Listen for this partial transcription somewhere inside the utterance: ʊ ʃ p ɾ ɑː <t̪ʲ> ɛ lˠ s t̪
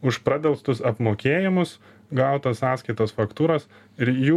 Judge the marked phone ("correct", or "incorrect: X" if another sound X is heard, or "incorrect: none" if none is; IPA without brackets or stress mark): incorrect: d̪ʲ